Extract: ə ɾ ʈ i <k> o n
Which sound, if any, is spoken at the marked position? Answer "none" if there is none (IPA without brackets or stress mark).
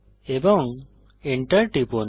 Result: p